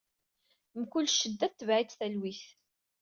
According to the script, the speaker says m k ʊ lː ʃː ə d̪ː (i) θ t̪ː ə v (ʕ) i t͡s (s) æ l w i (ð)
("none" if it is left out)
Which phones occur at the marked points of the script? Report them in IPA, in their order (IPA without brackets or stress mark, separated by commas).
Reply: æ, ʕ, θ, θ